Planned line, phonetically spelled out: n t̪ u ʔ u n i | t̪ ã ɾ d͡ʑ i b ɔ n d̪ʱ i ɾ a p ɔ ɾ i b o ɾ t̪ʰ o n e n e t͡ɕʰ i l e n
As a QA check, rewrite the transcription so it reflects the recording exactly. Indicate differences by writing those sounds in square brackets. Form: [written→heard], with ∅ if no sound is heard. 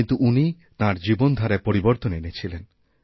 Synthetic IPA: n t̪ u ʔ u n i | t̪ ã ɾ d͡ʑ i b [ɔ→o] n d̪ʱ [i→a] ɾ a p [ɔ→o] ɾ i b o ɾ [t̪ʰ→t̪] o n e n e t͡ɕʰ i l e n